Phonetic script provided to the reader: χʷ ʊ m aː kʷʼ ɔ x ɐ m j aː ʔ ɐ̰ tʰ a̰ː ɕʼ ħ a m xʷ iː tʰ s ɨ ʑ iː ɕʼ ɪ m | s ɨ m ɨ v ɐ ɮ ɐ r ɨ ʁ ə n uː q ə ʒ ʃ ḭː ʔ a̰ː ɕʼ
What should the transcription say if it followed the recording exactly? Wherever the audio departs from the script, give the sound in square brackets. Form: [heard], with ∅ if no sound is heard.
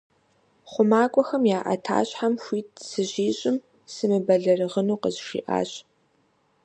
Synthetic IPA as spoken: χʷ ʊ m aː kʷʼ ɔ x ɐ m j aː ʔ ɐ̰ tʰ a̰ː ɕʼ ħ a m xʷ iː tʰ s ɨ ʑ iː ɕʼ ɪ m | s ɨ m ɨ [b] ɐ ɮ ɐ r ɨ ʁ ə n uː q ə [z] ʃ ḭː ʔ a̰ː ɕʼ